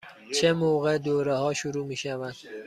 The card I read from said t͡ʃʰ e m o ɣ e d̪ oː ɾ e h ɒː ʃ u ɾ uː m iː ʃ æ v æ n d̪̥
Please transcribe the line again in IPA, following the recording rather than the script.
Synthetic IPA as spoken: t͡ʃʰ e m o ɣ e d̪ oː ɾ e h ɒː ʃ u ɾ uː m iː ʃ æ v æ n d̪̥